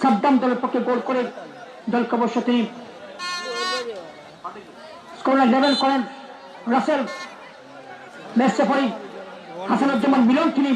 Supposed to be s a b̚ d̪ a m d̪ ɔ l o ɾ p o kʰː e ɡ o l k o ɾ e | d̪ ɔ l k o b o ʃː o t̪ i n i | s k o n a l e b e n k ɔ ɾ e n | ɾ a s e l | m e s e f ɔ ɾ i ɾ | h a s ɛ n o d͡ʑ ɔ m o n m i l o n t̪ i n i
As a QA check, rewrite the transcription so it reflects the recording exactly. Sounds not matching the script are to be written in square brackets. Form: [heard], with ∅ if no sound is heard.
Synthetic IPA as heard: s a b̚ d̪ a m d̪ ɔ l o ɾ p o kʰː e ɡ o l k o ɾ e | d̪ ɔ l k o b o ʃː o t̪ i n i | s k o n a l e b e n k ɔ ɾ e n | ɾ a s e l | m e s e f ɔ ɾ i [∅] | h a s [a] n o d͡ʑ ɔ m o n m i l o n t̪ i n i